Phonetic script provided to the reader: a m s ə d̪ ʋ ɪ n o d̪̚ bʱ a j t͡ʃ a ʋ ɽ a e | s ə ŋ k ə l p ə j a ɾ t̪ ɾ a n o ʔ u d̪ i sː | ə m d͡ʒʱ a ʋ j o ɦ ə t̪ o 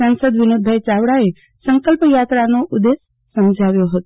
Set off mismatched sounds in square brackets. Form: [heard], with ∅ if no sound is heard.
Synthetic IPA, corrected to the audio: a [n] s ə d̪ ʋ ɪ n o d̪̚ bʱ a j t͡ʃ a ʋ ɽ a e | s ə ŋ k ə l p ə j a [∅] t̪ ɾ a n o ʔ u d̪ [e] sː | ə m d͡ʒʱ a ʋ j o ɦ ə t̪ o